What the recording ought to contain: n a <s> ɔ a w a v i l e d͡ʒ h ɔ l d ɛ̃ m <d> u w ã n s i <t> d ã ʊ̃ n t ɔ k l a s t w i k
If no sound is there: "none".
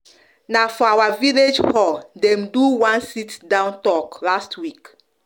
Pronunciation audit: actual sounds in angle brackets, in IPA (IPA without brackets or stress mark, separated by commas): f, d, t